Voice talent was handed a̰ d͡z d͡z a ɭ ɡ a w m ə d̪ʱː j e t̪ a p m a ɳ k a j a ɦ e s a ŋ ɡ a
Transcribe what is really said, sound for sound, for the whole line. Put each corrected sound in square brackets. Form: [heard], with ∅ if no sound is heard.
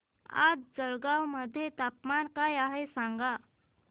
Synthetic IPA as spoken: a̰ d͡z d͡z [ə] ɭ ɡ a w m ə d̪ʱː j e t̪ a p m a [n] k a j a ɦ e s a ŋ ɡ a